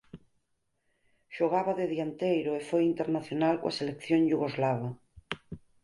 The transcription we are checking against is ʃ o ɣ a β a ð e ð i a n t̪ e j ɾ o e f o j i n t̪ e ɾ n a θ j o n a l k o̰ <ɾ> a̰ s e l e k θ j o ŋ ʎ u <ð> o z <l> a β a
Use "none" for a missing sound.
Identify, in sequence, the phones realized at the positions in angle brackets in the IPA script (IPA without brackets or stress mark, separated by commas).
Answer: none, ɣ, l